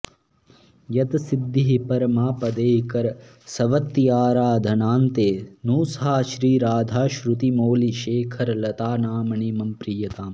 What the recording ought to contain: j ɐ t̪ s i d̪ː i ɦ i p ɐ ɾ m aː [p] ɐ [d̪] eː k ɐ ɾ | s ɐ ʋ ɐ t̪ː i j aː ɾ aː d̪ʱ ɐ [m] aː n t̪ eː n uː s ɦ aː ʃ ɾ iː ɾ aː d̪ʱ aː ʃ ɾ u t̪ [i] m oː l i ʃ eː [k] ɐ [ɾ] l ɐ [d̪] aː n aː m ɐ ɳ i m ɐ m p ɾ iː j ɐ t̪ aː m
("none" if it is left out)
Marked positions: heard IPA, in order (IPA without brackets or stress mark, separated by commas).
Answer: p, d̪, n, i, kʰ, ɾ, t̪